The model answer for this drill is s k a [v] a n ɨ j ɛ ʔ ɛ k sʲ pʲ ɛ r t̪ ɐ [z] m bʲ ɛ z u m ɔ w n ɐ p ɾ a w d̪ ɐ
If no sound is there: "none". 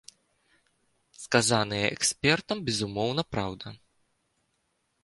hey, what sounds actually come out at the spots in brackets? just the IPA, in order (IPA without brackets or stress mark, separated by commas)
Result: z, none